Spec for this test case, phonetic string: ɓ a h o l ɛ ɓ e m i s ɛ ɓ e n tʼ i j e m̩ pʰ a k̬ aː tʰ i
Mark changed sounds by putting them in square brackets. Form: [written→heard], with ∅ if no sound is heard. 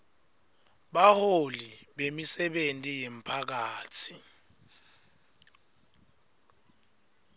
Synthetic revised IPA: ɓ a h o l [ɛ→i] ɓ e m i s ɛ ɓ e n tʼ i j e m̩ pʰ a k̬ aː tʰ i